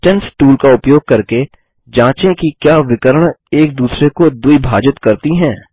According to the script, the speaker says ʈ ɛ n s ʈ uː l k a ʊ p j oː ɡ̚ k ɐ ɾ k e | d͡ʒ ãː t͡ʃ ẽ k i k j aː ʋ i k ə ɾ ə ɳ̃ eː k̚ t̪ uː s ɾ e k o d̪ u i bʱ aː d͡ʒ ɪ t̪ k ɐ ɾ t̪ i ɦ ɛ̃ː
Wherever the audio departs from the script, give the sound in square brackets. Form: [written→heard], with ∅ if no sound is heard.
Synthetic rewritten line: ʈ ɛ n s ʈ uː l k a ʊ p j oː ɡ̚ k ɐ ɾ k e | d͡ʒ ãː t͡ʃ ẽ k i k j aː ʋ [i→ɪ] k ə ɾ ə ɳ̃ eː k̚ [t̪→d̪] uː s ɾ e k o d̪ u i bʱ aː d͡ʒ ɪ t̪ k ɐ ɾ t̪ i ɦ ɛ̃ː

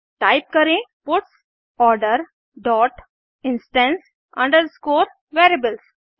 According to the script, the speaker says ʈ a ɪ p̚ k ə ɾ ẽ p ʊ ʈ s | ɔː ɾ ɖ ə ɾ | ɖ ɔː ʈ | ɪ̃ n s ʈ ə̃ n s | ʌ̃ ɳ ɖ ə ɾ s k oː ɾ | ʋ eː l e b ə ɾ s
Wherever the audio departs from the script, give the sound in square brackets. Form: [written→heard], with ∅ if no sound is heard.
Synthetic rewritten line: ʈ a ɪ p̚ k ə ɾ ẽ p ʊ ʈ s | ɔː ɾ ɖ ə ɾ | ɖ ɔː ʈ | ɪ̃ n s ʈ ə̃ n s | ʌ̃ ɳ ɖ ə ɾ s k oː ɾ | ʋ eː [l→ɾ] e b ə [ɾ→l] s

